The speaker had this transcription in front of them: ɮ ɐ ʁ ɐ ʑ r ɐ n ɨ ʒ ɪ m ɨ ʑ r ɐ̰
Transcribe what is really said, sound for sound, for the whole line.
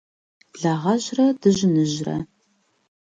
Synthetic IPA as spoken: ɮ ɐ ʁ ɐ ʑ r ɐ d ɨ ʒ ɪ n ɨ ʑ r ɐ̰